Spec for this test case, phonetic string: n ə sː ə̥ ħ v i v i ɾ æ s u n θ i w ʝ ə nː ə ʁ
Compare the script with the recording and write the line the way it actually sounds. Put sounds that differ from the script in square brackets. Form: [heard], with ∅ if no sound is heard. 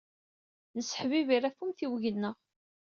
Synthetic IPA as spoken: n ə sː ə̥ ħ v i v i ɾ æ [f] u [m] θ i w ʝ ə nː ə ʁ